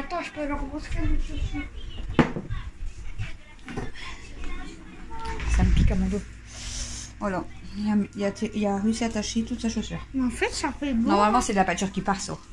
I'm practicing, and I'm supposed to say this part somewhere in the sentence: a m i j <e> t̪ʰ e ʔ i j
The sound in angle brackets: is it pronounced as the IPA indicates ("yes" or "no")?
no